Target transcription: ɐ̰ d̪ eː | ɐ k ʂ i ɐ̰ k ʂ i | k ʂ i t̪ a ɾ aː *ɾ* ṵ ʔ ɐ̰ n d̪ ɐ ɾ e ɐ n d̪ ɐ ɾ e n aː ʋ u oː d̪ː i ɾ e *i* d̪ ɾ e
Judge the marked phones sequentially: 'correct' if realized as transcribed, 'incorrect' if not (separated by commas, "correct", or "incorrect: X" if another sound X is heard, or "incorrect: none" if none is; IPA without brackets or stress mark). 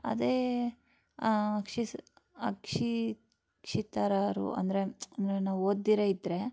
correct, correct